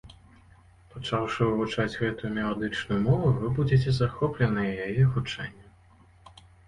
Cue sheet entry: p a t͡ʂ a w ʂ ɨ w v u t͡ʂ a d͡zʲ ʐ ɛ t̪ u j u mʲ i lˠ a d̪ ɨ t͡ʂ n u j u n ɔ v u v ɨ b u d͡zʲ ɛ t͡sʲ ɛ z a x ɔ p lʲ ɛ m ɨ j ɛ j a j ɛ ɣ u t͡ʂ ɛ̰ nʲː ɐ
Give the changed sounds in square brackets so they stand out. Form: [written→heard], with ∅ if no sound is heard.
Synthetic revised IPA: p a t͡ʂ a w ʂ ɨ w v u t͡ʂ a d͡zʲ [ʐ→ɣ] ɛ t̪ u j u mʲ [i→ɛ] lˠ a d̪ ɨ t͡ʂ n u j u [n→m] ɔ v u v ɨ b u d͡zʲ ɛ t͡sʲ ɛ z a x ɔ p lʲ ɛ [m→n] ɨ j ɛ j a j ɛ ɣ u t͡ʂ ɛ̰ nʲː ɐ

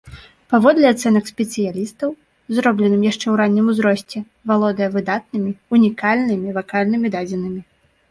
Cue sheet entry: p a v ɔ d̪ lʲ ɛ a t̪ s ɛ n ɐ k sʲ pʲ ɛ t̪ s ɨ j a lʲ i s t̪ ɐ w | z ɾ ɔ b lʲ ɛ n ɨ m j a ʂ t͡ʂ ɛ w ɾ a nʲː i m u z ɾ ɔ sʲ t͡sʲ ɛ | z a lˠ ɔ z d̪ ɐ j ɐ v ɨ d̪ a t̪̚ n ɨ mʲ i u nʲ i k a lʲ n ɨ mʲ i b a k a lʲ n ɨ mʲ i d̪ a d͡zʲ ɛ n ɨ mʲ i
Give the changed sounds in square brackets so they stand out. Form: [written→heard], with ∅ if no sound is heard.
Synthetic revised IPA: p a v ɔ d̪ lʲ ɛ a t̪ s ɛ n ɐ k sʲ pʲ ɛ t̪ s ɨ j a lʲ i s t̪ ɐ w | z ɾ ɔ b lʲ ɛ n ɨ m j a ʂ t͡ʂ ɛ w ɾ a nʲː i m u z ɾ ɔ sʲ t͡sʲ ɛ | [z→v] a lˠ ɔ [z→∅] d̪ ɐ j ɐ v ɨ d̪ a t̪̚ n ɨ mʲ i u nʲ i k a lʲ n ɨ mʲ i [b→v] a k a lʲ n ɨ mʲ i d̪ a d͡zʲ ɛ n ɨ mʲ i

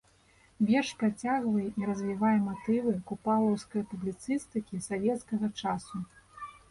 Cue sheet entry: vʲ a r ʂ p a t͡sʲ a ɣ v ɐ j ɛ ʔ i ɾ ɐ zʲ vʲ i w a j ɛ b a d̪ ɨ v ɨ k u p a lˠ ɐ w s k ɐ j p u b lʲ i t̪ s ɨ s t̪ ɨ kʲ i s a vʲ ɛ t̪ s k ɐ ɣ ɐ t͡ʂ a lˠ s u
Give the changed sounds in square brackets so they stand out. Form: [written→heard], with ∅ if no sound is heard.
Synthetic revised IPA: vʲ [a→ɛ] r ʂ p a t͡sʲ a ɣ v ɐ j ɛ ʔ i ɾ ɐ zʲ vʲ i [w→v] a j ɛ [b→m] a [d̪→t̪] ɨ v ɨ k u p a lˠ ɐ w s k ɐ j p u b lʲ i t̪ s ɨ s t̪ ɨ kʲ i s a vʲ ɛ t̪ s k ɐ ɣ ɐ t͡ʂ a [lˠ→∅] s u

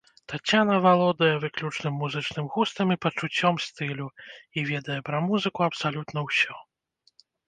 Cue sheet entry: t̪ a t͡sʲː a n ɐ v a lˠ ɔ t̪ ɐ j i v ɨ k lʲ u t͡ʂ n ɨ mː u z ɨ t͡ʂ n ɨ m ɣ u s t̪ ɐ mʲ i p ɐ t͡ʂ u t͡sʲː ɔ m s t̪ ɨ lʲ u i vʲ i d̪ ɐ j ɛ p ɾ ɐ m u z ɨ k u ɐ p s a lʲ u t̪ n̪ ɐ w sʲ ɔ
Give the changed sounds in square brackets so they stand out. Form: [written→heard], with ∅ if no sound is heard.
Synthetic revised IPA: t̪ a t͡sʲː a n ɐ v a lˠ ɔ [t̪→d̪] ɐ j [i→ɛ] v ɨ k lʲ u t͡ʂ n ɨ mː u z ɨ t͡ʂ n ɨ m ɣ u s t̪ ɐ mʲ i p ɐ t͡ʂ u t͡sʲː ɔ m s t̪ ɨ lʲ u i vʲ [i→ɛ] d̪ ɐ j ɛ p ɾ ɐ m u z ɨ k u ɐ p s a lʲ u t̪ n̪ ɐ w sʲ ɔ

